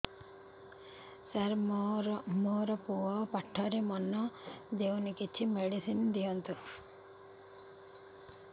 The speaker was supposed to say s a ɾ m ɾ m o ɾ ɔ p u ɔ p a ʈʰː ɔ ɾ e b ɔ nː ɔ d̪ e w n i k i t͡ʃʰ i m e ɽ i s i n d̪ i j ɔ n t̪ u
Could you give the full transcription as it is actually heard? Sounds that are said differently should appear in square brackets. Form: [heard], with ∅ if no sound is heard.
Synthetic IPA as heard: s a ɾ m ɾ m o ɾ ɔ p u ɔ p a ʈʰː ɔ ɾ e [m] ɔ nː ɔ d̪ e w n i k i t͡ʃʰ i m e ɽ i s i n d̪ i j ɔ n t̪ u